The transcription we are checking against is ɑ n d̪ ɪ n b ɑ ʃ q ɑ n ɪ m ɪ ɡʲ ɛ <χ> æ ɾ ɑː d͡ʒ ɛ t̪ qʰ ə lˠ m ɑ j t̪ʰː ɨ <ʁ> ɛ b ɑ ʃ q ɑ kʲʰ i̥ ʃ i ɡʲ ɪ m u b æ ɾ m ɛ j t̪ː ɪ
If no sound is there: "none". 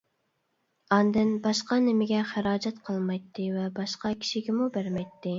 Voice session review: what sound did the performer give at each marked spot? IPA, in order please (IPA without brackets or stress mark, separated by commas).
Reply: χ, v